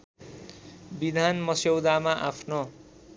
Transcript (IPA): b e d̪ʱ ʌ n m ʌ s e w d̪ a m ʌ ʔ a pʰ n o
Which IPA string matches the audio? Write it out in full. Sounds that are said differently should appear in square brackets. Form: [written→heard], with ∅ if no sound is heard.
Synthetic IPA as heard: b [e→i] d̪ʱ [ʌ→a] n m ʌ s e w d̪ a m [ʌ→a] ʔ a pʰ n o